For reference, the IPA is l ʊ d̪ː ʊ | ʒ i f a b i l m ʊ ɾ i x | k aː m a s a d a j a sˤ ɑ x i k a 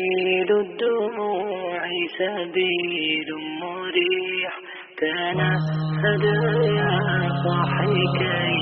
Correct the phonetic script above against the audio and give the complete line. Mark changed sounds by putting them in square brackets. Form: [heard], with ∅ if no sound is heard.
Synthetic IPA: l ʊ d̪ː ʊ | [ʕ] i [s] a b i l m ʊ ɾ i [ħ] | k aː [n] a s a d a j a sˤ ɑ [ħ] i k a